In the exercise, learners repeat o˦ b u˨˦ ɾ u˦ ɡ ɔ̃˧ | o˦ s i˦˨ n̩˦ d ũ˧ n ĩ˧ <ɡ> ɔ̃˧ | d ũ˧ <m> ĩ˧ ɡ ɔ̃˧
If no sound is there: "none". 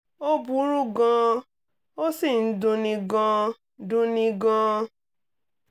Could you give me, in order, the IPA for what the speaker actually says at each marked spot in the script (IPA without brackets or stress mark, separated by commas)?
ɡ, n